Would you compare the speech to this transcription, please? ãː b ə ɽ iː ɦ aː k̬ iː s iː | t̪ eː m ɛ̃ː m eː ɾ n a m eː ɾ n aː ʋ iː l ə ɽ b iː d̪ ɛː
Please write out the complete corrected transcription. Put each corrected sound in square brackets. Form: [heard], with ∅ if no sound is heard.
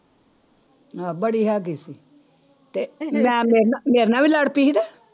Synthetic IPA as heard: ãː b ə ɽ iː ɦ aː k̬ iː s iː | t̪ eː m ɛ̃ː m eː ɾ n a m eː ɾ n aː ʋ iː l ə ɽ [p] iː d̪ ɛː